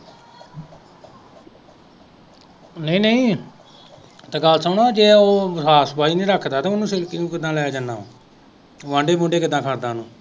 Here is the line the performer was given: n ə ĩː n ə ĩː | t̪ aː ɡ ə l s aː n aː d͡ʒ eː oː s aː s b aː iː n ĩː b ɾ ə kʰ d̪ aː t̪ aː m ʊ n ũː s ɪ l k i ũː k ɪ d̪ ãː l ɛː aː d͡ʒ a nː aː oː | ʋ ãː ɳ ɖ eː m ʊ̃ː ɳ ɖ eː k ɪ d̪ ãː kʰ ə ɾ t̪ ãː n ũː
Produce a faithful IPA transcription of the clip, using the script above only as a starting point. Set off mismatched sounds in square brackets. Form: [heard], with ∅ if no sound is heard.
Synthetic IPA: n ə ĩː n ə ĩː | t̪ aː ɡ ə l s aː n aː d͡ʒ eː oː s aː s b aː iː n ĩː [∅] ɾ ə kʰ d̪ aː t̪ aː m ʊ n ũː s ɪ l k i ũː k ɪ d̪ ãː l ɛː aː d͡ʒ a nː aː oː | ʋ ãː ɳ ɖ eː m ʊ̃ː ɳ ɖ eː k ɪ d̪ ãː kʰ ə ɾ [d̪] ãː n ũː